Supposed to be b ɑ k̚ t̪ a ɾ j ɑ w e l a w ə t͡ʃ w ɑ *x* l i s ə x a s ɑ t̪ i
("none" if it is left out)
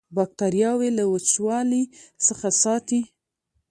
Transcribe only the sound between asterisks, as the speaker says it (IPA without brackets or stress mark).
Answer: none